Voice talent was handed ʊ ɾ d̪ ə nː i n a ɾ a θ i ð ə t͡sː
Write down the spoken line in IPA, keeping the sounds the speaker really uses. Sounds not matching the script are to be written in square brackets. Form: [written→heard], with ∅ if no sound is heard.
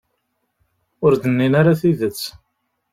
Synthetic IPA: ʊ ɾ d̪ ə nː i n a ɾ a θ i ð ə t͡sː